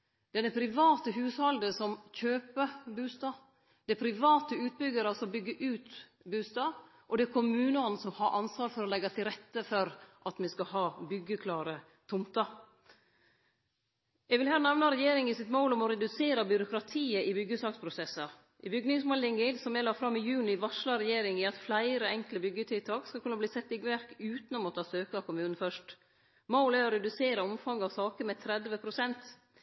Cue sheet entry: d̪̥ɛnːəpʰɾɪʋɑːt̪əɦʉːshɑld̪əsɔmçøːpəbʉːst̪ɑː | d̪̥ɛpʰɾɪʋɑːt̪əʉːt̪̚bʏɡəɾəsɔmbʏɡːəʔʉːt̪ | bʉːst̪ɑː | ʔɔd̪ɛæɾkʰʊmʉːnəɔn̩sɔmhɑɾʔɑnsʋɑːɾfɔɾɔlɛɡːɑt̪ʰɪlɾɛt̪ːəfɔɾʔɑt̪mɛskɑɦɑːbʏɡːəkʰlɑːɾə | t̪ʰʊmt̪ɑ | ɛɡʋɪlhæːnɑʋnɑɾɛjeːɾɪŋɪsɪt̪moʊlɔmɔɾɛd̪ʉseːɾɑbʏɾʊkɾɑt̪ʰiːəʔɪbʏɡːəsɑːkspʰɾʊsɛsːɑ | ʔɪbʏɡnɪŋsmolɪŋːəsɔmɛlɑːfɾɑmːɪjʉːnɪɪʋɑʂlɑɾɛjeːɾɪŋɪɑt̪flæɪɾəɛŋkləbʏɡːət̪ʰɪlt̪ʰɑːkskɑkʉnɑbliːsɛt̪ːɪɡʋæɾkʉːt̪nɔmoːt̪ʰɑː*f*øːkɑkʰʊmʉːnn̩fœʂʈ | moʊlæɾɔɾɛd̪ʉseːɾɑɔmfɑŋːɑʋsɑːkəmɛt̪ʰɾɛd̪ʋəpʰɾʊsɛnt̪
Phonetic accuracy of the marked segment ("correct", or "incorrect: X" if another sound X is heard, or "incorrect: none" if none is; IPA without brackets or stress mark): incorrect: s